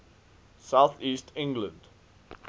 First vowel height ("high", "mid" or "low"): low